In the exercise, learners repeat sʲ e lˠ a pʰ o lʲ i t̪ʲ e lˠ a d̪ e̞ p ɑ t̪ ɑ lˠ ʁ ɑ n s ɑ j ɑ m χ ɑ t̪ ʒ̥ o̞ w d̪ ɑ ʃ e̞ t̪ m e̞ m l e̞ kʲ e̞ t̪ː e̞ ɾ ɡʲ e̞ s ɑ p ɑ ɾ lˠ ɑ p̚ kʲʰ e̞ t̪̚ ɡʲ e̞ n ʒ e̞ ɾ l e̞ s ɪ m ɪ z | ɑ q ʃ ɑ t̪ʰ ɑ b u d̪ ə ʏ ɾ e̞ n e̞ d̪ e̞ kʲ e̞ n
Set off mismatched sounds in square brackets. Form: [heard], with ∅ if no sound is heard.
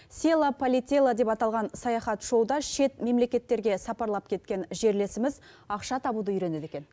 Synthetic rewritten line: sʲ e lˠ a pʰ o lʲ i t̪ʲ e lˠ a d̪ e̞ p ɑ t̪ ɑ lˠ ʁ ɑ n s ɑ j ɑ [∅] χ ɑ t̪ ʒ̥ o̞ w d̪ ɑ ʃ e̞ t̪ m e̞ m l e̞ kʲ e̞ t̪ː e̞ ɾ ɡʲ e̞ s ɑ p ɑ ɾ lˠ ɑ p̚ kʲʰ e̞ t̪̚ [kʲ] e̞ n ʒ e̞ ɾ l e̞ s ɪ m ɪ z | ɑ q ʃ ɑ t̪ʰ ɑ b u d̪ ə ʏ ɾ e̞ n e̞ d̪ e̞ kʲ e̞ n